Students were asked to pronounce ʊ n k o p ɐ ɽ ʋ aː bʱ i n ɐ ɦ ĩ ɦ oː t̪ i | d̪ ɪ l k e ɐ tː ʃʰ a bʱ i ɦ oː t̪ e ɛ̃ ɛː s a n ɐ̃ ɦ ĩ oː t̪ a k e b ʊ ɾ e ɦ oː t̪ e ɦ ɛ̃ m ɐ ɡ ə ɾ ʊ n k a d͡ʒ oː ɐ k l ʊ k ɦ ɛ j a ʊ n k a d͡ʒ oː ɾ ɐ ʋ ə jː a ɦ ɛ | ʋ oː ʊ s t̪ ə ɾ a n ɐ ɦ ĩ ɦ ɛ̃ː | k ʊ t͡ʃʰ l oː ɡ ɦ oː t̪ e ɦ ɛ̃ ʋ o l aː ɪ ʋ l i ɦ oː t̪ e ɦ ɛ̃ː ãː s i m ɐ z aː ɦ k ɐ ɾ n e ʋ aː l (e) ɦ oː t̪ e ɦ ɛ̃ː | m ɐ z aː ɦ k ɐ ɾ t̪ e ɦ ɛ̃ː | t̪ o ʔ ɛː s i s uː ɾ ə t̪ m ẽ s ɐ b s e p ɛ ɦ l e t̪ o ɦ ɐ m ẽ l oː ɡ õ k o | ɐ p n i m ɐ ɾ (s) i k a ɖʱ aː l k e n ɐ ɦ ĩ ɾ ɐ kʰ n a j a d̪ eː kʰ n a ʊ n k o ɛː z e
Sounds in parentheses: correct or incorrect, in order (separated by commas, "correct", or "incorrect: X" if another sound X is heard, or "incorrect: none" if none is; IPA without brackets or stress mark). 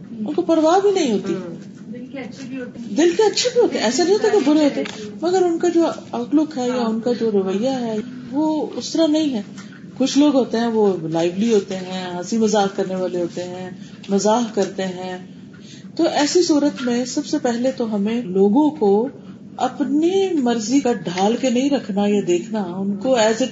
correct, incorrect: z